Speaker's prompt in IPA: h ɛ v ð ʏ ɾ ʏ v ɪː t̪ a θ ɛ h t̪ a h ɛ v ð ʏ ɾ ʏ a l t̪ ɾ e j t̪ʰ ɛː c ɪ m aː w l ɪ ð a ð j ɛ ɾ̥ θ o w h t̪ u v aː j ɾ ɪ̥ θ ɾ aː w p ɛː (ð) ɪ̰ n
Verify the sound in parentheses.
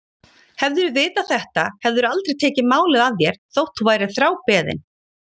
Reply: correct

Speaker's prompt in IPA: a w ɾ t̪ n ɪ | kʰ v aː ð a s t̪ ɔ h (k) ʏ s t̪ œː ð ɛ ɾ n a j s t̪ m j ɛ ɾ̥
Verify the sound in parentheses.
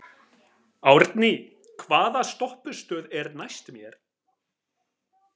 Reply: incorrect: p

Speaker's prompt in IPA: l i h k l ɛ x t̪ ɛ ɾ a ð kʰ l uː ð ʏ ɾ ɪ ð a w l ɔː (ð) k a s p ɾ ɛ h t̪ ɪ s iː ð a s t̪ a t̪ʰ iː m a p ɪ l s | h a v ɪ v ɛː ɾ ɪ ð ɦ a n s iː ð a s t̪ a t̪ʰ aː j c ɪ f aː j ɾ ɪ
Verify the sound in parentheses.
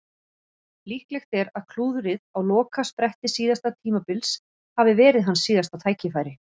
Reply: incorrect: none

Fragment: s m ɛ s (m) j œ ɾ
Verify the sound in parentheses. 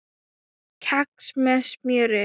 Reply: correct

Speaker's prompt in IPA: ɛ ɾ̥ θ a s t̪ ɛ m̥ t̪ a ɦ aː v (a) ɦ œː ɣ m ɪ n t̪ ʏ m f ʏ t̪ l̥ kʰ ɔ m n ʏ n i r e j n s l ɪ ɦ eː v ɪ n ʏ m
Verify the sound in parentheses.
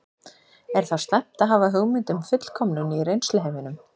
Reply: correct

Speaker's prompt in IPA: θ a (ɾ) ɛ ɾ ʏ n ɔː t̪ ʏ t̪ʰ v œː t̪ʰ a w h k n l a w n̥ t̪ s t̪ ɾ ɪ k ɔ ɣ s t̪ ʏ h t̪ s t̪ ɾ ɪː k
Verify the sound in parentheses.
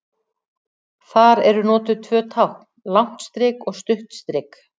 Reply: correct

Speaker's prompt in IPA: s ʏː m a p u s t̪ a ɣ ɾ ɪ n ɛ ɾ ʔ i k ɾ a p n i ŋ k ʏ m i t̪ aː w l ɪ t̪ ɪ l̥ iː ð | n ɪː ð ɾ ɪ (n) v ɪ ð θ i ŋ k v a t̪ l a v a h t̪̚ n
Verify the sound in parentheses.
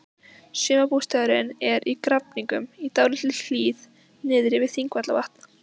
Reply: incorrect: none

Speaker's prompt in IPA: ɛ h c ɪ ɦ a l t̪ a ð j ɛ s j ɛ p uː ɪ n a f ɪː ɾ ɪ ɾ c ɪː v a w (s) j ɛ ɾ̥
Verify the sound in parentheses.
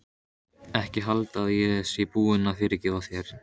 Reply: incorrect: θ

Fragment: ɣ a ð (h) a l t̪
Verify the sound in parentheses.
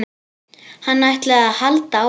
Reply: correct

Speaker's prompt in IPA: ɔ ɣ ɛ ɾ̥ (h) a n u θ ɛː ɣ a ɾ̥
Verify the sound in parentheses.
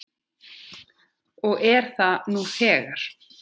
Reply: incorrect: θ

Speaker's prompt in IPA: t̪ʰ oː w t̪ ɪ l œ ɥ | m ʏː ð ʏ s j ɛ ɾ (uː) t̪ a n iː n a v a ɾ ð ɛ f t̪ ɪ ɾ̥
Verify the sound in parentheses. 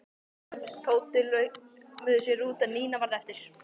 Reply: correct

